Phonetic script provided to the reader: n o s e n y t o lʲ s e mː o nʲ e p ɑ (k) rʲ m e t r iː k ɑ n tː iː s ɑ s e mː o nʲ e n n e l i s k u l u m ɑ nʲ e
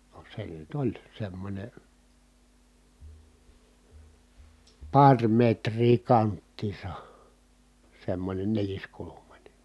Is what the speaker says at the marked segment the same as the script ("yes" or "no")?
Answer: no